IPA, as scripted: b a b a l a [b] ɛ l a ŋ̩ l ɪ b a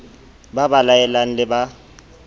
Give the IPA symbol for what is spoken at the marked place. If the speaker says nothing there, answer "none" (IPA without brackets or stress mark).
none